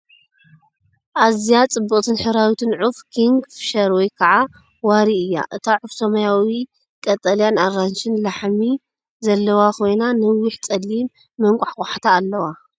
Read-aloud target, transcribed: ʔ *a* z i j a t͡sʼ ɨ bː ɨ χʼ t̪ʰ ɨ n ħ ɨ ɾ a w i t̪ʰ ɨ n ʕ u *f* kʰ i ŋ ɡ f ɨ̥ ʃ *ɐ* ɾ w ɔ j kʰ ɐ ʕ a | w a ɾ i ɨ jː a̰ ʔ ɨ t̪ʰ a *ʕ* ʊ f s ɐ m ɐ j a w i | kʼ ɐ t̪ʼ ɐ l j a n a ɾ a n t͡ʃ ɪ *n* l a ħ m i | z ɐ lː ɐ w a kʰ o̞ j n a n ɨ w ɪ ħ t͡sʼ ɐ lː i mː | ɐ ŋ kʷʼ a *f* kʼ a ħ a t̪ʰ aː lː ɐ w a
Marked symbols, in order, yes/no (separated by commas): yes, yes, yes, yes, yes, no